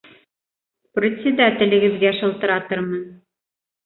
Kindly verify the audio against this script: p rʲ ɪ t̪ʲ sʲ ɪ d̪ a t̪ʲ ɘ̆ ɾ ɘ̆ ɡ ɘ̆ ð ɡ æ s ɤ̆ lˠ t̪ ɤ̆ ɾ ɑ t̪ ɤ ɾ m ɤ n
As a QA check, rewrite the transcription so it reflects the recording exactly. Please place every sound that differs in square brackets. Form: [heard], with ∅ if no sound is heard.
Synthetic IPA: p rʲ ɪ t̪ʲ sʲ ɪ d̪ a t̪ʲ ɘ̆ [l] ɘ̆ ɡ ɘ̆ ð ɡ æ [ʃ] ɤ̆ lˠ t̪ ɤ̆ ɾ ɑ t̪ ɤ ɾ m ɤ n